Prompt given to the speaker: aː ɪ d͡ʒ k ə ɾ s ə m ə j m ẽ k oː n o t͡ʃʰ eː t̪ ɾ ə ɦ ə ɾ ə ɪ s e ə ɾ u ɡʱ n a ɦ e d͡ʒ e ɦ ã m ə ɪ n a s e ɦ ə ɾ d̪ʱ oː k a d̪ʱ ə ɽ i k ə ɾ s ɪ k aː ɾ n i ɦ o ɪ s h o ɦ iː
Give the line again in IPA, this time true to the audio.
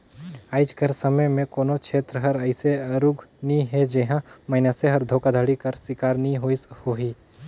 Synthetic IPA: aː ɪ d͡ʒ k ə ɾ s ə m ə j m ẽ k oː n o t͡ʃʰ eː t̪ ɾ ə ɦ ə ɾ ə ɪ s e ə ɾ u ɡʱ n i ɦ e d͡ʒ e ɦ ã m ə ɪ n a s e ɦ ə ɾ d̪ʱ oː k a d̪ʱ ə ɽ i k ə ɾ s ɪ k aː ɾ n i ɦ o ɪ s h o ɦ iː

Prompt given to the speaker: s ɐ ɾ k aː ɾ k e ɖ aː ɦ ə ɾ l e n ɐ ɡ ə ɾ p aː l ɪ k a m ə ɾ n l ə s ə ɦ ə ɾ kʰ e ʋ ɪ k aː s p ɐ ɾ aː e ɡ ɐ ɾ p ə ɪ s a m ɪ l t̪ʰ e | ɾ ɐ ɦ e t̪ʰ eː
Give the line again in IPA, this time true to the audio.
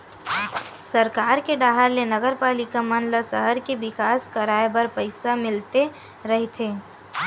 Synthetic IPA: s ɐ ɾ k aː ɾ k e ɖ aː ɦ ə ɾ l e n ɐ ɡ ə ɾ p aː l ɪ k a m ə n l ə s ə ɦ ə ɾ k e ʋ ɪ k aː s k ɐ ɾ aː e b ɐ ɾ p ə ɪ s a m ɪ l t̪ e | ɾ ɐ ɦ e t̪ʰ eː

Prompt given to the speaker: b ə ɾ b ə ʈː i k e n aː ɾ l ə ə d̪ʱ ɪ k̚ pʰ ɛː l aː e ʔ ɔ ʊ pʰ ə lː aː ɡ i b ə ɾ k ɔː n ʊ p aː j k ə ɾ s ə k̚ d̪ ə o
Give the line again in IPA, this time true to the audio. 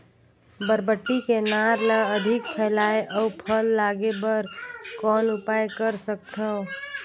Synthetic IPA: b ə ɾ b ə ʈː i k e n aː ɾ l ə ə d̪ʱ ɪ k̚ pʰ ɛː l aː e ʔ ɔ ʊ pʰ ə lː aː ɡ e b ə ɾ k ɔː n ʊ p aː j k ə ɾ s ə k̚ t̪ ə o

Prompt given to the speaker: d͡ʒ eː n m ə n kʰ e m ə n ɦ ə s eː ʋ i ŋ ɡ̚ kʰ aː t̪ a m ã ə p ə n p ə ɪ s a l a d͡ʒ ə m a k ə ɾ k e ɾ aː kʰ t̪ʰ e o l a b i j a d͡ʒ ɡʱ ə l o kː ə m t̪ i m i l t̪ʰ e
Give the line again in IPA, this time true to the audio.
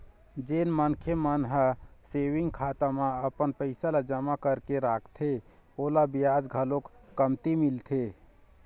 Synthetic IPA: d͡ʒ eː n m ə n kʰ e m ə n ɦ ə s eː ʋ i ŋ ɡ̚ kʰ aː t̪ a m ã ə p ə n p ə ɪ s a l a d͡ʒ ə m a k ə ɾ k e ɾ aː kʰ t̪ʰ e o l a b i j a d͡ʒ ɡʱ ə l o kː ə m t̪ i m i l t̪ʰ e

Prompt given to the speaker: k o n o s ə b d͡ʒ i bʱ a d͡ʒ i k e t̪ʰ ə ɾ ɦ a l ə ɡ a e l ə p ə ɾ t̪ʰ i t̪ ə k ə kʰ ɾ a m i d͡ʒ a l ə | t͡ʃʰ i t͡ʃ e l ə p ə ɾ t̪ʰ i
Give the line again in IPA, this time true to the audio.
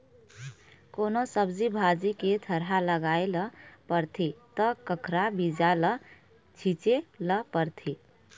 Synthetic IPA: k o n o s ə b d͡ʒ i bʱ a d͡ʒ i k e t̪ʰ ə ɾ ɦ a l ə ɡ a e l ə p ə ɾ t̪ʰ i t̪ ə k ə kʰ ɾ a b i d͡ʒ a l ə | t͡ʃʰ i t͡ʃ e l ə p ə ɾ t̪ʰ i

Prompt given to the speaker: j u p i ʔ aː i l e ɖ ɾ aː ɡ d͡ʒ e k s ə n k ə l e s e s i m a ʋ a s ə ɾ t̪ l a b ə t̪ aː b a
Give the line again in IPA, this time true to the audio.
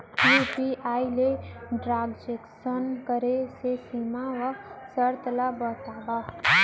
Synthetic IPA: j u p i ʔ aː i l e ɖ ɾ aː ɡ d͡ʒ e k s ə n k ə ɾ e s e s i m a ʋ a s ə ɾ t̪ l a b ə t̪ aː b a

